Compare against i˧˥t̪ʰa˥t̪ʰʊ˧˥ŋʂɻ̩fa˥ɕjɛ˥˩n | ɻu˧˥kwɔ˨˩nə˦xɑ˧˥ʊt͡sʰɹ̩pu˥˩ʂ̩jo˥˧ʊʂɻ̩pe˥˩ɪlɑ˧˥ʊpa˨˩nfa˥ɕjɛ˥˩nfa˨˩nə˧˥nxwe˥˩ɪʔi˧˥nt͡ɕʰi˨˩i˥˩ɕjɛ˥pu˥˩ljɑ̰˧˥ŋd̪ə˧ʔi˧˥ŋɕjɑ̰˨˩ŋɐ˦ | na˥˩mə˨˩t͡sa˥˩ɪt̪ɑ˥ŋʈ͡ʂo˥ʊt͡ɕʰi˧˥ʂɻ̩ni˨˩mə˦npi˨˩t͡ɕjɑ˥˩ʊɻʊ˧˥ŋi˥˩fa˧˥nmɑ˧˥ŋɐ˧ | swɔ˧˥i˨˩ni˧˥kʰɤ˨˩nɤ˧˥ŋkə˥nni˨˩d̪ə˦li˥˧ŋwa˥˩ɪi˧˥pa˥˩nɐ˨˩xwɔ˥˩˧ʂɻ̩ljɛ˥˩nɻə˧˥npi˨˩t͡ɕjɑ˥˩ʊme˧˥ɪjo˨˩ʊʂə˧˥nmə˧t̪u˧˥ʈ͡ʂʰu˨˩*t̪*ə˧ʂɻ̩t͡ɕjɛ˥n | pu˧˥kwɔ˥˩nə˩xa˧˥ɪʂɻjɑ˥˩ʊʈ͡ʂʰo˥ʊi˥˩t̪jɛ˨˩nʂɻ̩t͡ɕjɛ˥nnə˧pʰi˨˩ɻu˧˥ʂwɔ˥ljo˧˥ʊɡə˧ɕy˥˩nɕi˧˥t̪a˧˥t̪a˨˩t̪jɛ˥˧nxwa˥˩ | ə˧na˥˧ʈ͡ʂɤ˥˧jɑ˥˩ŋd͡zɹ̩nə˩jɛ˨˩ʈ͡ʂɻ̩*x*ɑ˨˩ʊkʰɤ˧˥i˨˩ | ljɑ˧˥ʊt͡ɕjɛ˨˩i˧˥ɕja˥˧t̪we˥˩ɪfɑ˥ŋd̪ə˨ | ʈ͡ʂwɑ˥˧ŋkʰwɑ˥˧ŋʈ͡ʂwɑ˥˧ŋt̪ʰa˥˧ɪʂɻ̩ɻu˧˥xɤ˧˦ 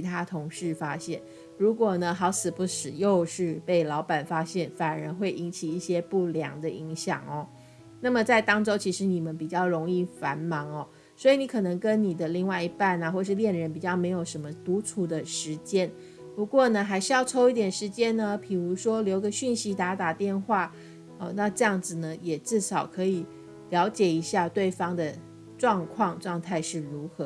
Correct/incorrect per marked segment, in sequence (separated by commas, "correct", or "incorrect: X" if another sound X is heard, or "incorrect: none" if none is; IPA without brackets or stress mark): incorrect: d̪, incorrect: ʂ